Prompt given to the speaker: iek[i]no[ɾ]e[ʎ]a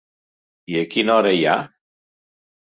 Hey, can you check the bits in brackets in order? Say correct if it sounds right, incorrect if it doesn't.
correct, correct, incorrect

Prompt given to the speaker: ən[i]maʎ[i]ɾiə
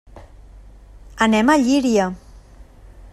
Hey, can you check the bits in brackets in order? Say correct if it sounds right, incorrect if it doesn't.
incorrect, correct

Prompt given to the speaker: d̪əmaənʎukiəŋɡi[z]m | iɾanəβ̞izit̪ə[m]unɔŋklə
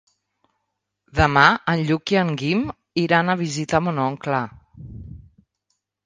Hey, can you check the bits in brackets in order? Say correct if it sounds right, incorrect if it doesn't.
incorrect, correct

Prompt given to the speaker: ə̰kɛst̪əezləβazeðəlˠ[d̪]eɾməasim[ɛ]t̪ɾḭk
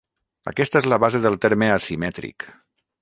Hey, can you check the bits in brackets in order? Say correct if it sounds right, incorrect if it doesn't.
incorrect, correct

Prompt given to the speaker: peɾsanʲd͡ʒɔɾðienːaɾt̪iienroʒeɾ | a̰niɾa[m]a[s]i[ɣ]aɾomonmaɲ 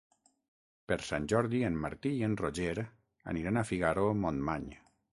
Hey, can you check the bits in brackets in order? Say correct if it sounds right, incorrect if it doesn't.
incorrect, incorrect, correct

